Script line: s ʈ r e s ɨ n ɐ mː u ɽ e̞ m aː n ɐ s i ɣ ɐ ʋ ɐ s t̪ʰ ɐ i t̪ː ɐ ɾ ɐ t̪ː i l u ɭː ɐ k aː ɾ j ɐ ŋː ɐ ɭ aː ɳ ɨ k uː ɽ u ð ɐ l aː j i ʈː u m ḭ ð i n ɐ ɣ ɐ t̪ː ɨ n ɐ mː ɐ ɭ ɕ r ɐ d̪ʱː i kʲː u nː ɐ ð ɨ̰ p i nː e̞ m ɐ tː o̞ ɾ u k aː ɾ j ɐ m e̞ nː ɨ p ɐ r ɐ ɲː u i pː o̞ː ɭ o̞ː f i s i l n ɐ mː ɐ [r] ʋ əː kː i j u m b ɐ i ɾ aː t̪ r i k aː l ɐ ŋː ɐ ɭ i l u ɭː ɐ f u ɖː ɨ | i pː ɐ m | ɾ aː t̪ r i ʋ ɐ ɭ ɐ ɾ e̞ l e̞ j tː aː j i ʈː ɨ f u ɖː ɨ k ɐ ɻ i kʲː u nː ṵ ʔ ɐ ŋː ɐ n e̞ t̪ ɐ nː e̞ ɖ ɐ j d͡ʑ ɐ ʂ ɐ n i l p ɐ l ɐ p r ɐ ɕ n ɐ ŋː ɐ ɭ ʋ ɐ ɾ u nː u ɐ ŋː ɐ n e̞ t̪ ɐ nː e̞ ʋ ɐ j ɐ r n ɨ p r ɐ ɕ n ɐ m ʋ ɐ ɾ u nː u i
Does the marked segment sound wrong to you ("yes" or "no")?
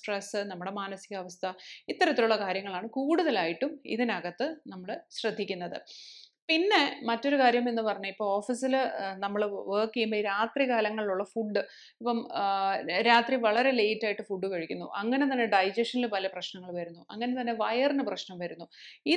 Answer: yes